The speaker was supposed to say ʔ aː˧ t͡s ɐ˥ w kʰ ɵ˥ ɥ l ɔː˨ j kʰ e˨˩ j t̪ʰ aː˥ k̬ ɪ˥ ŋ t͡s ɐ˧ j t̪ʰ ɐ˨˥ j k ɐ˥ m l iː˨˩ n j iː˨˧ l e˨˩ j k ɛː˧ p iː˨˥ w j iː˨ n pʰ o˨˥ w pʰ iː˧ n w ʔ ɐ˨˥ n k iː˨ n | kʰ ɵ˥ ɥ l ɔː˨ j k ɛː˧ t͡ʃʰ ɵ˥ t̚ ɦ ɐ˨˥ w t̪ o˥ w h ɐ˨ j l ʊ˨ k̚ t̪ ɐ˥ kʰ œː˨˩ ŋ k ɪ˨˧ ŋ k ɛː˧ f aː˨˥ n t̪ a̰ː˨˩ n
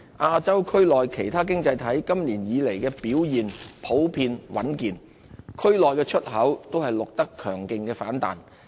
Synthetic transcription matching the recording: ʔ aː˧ t͡s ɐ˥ w kʰ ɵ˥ ɥ l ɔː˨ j kʰ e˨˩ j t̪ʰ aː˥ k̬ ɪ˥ ŋ t͡s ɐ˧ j t̪ʰ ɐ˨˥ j k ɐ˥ m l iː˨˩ n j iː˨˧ l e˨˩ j k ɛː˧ p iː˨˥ w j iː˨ n pʰ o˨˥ w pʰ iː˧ n w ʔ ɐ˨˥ n k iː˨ n | kʰ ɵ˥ ɥ l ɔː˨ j k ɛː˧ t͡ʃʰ ɵ˥ t̚ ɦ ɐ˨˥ w t̪ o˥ w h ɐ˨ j l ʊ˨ k̚ t̪ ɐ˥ kʰ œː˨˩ ŋ k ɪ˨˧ ŋ k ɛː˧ f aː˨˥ n t̪ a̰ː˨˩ n